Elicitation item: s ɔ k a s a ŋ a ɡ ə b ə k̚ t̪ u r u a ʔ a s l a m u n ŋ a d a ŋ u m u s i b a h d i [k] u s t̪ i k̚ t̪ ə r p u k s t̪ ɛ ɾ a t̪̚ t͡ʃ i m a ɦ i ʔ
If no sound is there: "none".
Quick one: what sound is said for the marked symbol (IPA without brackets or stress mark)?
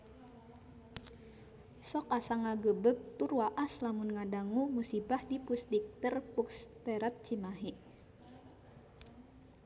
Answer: p